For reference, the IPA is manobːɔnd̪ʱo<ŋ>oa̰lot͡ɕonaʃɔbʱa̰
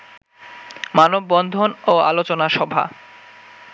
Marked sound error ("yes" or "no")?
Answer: yes